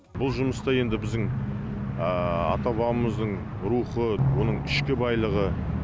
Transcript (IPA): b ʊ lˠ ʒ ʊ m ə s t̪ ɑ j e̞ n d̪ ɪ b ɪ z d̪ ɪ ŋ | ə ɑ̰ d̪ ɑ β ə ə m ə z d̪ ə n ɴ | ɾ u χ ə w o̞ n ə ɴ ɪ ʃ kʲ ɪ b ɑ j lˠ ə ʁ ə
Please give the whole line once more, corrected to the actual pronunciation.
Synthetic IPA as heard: b ʊ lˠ ʒ ʊ m ə s t̪ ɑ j e̞ n d̪ ɪ b ɪ z d̪ ɪ ŋ | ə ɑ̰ t̪ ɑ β ɑ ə m ə z d̪ ə ɴ | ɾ u χ ə w o̞ n ə ɴ ɪ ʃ kʲ ɪ b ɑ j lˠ ə ʁ ə